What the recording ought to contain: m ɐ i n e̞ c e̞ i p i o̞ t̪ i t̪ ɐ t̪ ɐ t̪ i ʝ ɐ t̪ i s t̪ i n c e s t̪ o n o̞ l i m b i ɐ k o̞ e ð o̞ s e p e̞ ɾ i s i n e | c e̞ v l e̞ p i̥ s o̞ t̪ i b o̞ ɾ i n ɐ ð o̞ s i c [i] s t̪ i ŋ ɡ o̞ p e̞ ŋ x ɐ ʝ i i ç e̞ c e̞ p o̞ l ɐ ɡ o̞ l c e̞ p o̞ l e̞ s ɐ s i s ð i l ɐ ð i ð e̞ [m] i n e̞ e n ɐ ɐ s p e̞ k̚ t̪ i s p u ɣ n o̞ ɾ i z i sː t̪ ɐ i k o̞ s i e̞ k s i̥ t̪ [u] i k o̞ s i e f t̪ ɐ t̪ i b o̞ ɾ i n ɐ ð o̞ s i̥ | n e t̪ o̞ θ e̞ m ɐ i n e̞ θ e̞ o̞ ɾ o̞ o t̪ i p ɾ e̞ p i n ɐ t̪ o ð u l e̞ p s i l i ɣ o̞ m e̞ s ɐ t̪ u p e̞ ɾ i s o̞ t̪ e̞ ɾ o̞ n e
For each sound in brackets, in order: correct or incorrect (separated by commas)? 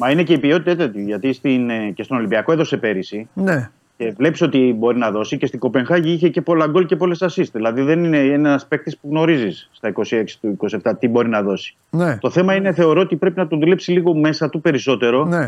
incorrect, incorrect, correct